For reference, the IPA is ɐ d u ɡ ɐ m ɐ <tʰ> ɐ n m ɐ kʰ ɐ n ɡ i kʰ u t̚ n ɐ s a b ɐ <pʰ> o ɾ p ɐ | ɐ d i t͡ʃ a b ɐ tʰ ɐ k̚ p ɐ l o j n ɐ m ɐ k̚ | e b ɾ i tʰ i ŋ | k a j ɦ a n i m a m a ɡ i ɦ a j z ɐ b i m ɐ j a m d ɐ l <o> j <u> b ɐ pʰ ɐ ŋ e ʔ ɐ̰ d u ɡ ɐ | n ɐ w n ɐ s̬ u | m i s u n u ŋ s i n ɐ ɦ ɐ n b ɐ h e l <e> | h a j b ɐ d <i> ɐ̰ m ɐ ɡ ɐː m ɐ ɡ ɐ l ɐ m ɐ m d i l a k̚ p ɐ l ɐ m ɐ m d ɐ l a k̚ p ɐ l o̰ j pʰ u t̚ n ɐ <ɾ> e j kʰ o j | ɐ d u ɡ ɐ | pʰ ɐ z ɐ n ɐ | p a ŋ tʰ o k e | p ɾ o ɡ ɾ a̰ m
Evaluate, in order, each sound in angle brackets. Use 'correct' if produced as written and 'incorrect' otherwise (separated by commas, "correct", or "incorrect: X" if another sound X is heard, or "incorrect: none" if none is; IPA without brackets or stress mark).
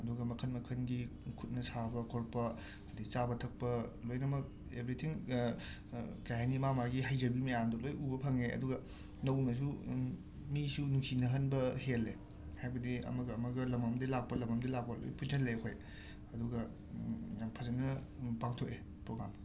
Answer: incorrect: kʰ, incorrect: kʰ, correct, correct, correct, correct, incorrect: l